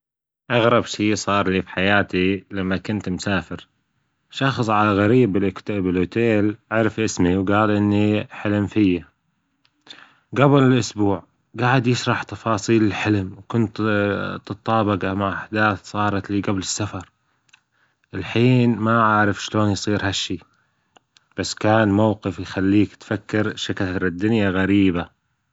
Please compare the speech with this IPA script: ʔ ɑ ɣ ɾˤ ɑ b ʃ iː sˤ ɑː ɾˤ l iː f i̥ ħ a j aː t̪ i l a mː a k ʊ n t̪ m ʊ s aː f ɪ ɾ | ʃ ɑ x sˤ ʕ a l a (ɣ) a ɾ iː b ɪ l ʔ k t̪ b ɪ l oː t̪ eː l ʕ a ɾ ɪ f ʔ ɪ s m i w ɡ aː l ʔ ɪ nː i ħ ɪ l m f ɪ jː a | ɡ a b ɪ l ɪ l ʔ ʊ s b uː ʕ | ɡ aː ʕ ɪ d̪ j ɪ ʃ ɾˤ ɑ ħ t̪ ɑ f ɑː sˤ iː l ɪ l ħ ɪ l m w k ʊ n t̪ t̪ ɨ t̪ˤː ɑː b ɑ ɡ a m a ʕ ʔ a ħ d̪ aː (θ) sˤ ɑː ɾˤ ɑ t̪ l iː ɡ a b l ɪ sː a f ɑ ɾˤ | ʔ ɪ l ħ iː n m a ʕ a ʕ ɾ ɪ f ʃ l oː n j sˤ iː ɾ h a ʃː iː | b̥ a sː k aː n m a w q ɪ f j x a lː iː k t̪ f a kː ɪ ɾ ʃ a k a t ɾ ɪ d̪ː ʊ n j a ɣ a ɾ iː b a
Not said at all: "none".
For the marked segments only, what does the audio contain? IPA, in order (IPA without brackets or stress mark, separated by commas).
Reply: ɣ, θ